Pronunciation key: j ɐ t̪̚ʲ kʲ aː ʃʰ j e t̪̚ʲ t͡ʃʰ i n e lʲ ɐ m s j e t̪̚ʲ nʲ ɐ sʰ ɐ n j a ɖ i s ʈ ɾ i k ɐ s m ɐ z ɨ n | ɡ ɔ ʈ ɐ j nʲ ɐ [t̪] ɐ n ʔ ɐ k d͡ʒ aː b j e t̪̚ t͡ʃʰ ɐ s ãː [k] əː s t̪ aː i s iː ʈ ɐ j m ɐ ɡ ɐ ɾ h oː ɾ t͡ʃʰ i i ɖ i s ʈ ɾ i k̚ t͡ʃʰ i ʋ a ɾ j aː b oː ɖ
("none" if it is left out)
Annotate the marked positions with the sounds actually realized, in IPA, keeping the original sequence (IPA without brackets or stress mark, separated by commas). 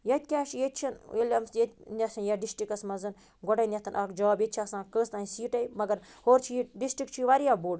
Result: t̪, k